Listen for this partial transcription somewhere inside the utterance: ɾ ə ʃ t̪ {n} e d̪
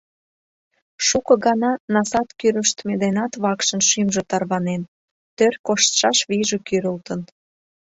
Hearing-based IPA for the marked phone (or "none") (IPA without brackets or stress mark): m